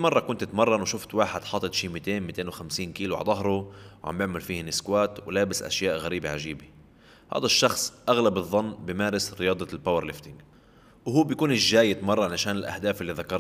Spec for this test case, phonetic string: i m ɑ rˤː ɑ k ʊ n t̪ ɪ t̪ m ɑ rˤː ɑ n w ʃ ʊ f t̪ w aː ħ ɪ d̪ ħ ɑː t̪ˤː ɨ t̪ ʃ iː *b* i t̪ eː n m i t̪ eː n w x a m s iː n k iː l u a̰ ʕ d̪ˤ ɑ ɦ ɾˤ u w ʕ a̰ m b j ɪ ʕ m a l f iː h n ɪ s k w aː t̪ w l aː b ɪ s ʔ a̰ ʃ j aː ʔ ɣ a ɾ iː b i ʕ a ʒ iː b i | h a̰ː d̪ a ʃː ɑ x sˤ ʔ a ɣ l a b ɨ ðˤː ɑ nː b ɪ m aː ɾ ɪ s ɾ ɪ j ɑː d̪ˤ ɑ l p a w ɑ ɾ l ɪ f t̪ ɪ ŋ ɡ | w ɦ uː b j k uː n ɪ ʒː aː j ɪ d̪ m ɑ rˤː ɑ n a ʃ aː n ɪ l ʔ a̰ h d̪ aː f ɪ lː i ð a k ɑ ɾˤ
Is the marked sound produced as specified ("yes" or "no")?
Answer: no